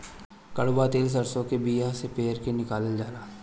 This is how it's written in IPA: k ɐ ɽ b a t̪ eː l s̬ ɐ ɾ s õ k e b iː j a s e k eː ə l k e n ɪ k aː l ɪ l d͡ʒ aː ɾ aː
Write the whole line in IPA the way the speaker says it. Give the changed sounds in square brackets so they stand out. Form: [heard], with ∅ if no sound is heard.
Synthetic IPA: k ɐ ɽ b a t̪ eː l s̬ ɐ ɾ s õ k e b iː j a s e [p] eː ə [ɾ] k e n ɪ k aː l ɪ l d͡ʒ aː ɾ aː